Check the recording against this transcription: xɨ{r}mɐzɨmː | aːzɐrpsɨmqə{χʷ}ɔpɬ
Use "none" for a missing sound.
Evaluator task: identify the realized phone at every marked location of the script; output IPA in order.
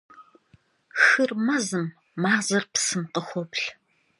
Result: r, xʷ

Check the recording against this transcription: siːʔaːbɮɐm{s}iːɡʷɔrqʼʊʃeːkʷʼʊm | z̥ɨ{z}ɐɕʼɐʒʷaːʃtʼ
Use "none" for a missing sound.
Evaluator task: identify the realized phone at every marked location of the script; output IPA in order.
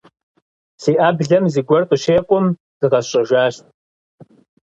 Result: z, ʁ

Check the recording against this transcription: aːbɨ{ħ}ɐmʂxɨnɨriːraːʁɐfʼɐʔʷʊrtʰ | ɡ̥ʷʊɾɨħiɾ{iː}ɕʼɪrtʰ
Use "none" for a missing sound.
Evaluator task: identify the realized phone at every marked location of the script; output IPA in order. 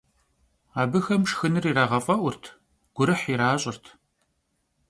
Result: x, aː

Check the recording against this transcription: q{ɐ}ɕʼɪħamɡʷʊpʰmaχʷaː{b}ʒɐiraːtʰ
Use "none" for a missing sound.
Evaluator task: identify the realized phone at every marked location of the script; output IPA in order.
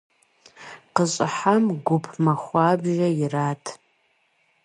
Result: ə, b

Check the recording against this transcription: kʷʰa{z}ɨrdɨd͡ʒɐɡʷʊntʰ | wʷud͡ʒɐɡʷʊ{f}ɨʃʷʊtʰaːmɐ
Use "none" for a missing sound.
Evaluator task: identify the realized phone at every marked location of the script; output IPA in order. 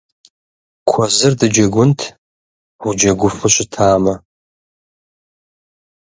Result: z, f

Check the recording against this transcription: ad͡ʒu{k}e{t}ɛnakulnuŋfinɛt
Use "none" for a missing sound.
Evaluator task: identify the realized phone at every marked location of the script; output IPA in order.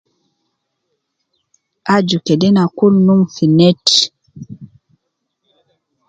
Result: k, d

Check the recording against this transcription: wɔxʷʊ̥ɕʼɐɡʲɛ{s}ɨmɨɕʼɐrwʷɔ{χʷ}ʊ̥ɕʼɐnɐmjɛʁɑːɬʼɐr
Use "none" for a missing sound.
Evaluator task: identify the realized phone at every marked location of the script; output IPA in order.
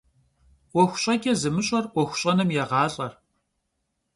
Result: z, xʷ

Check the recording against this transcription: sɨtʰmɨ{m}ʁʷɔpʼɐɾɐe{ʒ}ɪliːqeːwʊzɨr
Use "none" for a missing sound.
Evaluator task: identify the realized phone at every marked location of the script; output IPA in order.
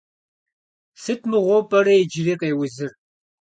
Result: none, d͡ʒ

